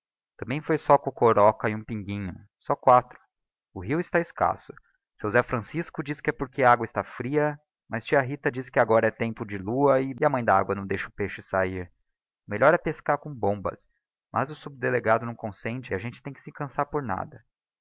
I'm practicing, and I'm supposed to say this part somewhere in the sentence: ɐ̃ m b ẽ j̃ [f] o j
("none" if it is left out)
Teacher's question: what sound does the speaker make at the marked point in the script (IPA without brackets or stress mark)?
f